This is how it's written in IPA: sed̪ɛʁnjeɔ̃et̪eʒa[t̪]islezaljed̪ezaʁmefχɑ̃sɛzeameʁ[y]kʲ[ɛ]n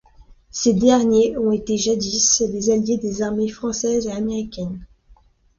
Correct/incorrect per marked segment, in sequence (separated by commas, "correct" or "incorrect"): incorrect, incorrect, correct